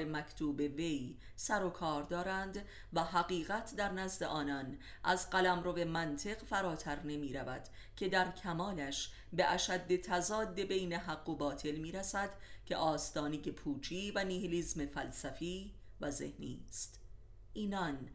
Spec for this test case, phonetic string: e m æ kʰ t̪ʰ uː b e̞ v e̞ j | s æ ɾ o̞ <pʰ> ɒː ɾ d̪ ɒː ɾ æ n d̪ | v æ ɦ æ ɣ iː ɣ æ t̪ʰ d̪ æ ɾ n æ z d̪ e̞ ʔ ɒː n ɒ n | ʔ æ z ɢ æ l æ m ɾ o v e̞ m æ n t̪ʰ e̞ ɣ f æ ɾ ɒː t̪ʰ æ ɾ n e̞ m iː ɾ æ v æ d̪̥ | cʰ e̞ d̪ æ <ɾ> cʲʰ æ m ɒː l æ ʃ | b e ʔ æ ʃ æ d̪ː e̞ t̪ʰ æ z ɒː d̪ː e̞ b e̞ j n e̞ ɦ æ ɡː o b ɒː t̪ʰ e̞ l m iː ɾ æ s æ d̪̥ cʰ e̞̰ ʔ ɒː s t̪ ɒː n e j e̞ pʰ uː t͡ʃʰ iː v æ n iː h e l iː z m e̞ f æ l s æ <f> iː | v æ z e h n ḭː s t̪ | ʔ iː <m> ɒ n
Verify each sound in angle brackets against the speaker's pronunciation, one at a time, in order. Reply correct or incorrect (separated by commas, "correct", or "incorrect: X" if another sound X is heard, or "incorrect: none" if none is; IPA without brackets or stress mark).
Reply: incorrect: kʰ, correct, correct, incorrect: n